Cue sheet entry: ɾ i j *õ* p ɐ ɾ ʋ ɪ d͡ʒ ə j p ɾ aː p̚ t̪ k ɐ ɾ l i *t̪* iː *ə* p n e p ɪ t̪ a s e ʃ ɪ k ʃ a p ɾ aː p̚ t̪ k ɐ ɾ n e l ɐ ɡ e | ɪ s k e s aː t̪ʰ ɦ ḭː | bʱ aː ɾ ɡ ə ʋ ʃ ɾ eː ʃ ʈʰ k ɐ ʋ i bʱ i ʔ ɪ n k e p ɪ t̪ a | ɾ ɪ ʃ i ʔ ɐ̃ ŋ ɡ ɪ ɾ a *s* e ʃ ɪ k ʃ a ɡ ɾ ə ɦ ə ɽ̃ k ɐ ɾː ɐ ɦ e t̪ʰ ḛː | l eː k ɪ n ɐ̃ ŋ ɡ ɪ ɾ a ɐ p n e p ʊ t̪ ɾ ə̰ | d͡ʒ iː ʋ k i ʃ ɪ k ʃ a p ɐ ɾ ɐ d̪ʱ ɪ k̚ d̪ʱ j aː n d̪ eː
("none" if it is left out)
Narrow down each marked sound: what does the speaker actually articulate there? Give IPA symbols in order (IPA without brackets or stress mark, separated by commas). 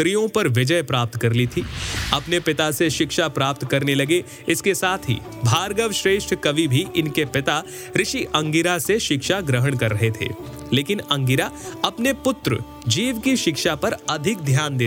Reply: õ, t̪ʰ, ɐ, s